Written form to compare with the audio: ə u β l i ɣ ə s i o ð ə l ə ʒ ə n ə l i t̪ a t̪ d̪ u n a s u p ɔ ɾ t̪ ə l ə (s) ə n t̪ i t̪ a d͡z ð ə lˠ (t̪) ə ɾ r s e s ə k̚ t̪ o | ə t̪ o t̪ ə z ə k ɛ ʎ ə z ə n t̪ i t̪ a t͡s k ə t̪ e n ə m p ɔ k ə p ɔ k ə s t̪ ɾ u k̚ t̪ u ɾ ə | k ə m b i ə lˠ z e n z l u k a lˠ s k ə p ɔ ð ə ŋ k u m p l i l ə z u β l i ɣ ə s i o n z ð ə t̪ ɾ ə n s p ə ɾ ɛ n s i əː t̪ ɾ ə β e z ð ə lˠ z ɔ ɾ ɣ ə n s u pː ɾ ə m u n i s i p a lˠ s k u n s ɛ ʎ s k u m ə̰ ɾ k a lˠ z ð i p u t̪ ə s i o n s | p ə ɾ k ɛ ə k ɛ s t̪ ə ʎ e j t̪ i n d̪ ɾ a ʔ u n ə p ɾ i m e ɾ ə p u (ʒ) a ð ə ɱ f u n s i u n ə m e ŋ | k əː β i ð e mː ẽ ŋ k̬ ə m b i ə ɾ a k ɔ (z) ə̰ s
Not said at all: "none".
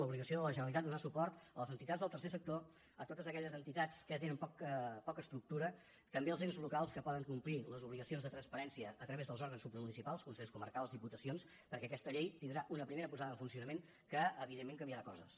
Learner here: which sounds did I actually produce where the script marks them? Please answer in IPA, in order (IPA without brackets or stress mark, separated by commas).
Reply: z, t̪, z, z